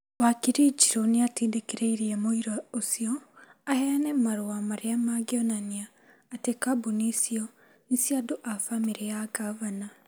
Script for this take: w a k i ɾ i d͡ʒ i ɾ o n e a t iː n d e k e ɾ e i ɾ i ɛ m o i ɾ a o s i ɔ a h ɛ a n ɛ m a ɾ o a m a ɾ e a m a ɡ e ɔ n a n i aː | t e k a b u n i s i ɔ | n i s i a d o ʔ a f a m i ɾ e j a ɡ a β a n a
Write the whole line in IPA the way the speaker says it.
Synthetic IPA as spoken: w a k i ɾ i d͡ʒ i ɾ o n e a t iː n d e k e ɾ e i ɾ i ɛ m o i ɾ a o s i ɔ a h ɛ a n ɛ m a ɾ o a m a ɾ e a m a ɡ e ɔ n a n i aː | t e k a b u n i s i ɔ | n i s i a d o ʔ a f a m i ɾ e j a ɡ a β a n a